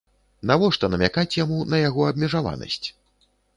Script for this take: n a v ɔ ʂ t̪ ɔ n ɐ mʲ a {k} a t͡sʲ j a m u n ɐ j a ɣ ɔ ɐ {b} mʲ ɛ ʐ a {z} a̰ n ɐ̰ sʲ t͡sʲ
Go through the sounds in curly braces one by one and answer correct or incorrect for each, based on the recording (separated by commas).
correct, correct, incorrect